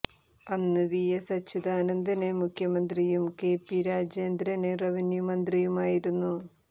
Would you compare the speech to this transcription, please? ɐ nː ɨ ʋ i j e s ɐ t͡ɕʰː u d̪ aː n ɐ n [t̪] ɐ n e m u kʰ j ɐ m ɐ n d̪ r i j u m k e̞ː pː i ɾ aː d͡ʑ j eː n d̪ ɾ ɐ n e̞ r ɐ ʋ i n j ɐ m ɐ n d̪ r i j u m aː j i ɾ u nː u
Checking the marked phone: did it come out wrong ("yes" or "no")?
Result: yes